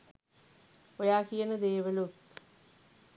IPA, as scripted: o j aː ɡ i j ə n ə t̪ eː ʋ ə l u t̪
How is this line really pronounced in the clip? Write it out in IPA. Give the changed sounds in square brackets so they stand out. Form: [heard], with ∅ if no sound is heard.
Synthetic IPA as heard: o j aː [k] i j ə n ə [d̪] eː ʋ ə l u t̪